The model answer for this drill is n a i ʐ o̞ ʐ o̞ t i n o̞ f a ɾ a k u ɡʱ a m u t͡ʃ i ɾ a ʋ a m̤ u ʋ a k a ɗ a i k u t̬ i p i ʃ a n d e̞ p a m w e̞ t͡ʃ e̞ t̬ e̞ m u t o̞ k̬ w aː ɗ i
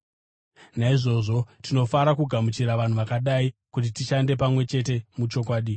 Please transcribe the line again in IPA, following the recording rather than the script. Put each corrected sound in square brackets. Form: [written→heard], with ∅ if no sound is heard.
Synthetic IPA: n a i ʐ o̞ ʐ o̞ t i n o̞ f a ɾ a k u ɡʱ a m u t͡ʃ i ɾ a ʋ a [m̤→n̤] u ʋ a k a ɗ a i k u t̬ i [p→t] i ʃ a n d e̞ p a m w e̞ t͡ʃ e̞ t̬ e̞ m u [t→t͡ʃ] o̞ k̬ w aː ɗ i